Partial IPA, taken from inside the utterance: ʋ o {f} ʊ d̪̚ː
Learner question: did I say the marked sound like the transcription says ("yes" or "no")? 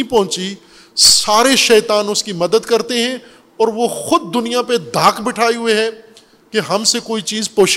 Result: no